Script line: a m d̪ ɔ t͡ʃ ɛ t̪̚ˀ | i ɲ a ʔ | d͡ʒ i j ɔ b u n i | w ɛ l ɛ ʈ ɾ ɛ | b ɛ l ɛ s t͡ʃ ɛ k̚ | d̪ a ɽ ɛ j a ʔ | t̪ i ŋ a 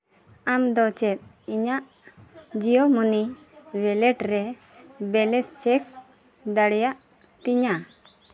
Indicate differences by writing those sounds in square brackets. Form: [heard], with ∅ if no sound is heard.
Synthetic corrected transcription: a m d̪ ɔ t͡ʃ ɛ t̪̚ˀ | i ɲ a ʔ | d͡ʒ i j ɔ [m] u n i | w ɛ l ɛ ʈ ɾ ɛ | b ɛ l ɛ s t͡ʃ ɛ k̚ | d̪ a ɽ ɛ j a ʔ | t̪ i [ɲ] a